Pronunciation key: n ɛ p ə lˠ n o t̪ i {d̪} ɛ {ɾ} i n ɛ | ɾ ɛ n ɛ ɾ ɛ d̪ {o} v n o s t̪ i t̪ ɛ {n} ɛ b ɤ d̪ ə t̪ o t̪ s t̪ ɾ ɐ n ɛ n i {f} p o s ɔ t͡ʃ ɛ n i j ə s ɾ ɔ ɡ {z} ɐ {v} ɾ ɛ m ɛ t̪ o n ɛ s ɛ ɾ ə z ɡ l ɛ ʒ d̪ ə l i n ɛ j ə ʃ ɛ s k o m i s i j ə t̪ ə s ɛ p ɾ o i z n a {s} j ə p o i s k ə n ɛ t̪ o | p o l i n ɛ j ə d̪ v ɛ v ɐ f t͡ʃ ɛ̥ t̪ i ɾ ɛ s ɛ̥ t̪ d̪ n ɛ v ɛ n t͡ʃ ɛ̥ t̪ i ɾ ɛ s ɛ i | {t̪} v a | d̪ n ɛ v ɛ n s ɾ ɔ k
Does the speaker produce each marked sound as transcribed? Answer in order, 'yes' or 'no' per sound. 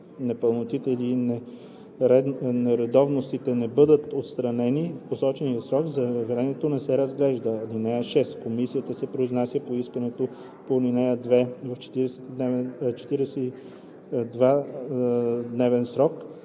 no, no, no, yes, yes, yes, yes, yes, no

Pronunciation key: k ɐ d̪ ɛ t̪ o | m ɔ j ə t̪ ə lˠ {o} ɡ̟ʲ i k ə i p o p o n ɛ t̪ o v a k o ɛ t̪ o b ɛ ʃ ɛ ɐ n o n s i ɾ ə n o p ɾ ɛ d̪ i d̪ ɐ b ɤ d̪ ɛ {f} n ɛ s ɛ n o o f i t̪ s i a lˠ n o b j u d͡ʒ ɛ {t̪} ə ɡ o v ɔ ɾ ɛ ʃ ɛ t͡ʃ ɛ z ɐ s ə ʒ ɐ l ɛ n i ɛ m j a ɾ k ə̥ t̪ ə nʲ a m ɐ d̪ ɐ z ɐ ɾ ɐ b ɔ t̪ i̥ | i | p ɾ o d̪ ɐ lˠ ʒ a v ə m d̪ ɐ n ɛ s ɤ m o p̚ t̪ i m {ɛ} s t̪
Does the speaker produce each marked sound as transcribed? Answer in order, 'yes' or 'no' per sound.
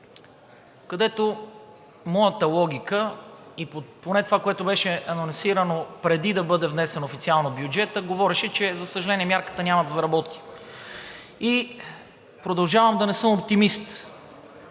no, no, yes, no

